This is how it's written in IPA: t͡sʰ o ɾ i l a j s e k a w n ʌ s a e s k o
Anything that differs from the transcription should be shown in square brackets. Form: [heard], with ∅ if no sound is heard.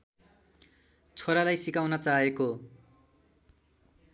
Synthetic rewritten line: t͡sʰ o ɾ [a] l a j s [i] k a w n ʌ [t͡s] a e [∅] k o